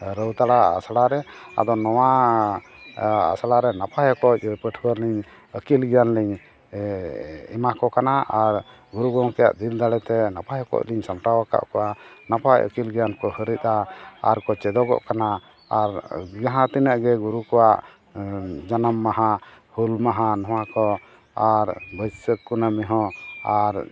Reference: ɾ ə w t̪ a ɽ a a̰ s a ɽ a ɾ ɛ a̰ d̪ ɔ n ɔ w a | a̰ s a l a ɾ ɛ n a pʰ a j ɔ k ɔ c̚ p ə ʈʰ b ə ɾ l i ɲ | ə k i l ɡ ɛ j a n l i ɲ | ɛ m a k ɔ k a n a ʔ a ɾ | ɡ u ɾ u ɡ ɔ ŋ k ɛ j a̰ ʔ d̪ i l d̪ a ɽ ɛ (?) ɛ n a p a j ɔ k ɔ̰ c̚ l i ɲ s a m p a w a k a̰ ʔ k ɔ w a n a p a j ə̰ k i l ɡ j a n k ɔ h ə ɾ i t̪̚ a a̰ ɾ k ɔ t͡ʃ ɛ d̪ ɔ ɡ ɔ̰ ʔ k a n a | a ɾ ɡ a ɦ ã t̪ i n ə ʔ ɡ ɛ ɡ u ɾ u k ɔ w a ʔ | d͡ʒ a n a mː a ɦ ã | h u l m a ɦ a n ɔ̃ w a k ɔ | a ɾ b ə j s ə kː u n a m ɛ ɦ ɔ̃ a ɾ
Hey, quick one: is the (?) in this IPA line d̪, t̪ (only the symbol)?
t̪